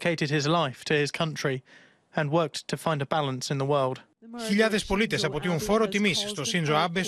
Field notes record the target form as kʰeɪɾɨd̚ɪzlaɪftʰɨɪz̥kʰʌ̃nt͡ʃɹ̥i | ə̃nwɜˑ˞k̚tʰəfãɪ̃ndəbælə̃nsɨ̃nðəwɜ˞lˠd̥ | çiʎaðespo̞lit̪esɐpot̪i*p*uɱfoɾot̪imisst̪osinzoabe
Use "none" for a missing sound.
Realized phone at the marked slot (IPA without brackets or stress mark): none